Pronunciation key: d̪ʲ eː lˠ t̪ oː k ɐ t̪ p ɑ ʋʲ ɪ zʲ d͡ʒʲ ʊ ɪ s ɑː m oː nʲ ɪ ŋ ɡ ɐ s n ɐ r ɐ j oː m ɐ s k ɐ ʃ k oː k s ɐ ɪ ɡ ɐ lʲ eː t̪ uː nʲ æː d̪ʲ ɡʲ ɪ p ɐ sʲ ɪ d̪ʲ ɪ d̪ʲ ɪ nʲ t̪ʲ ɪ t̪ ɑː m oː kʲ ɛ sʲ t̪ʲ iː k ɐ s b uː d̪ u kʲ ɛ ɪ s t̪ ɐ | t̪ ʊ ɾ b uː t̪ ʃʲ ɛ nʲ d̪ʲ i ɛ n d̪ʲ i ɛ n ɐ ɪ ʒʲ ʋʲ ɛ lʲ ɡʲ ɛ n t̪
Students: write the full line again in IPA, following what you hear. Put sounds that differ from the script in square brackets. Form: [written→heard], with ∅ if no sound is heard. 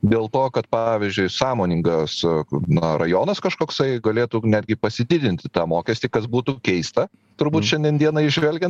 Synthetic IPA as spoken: d̪ʲ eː lˠ t̪ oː k ɐ t̪ p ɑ ʋʲ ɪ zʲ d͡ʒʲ ʊ ɪ s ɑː m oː nʲ ɪ ŋ ɡ ɐ s n ɐ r ɐ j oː [m→n] ɐ s k ɐ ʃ k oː k s ɐ ɪ ɡ ɐ lʲ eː t̪ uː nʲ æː d̪ʲ ɡʲ ɪ p ɐ sʲ ɪ d̪ʲ ɪ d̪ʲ ɪ nʲ t̪ʲ ɪ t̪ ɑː m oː kʲ ɛ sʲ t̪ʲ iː k ɐ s b uː [d̪→t̪] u kʲ ɛ ɪ s t̪ ɐ | t̪ ʊ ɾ b uː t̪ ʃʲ ɛ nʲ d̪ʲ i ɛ n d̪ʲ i ɛ n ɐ ɪ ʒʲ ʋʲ ɛ lʲ ɡʲ ɛ n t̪